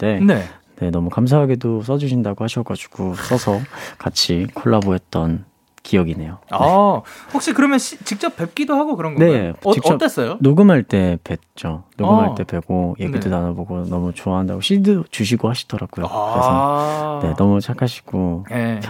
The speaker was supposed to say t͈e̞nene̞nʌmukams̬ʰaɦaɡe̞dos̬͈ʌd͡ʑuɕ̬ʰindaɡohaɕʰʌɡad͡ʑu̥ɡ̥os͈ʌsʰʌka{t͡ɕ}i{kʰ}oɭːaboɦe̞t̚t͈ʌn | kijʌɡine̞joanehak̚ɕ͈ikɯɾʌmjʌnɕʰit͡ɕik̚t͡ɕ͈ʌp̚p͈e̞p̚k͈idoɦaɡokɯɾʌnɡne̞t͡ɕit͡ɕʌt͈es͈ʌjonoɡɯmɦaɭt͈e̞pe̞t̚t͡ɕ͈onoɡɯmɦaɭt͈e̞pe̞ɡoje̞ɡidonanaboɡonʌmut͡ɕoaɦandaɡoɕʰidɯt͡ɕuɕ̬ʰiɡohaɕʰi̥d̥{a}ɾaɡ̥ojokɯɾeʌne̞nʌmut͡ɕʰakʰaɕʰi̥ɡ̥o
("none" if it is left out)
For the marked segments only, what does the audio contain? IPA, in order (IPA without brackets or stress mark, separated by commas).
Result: t͡ɕʰ, kʰ, ʌ